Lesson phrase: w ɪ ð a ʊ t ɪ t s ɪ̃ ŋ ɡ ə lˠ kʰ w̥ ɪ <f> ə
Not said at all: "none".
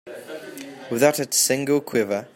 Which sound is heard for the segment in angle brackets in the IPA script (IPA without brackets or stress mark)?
v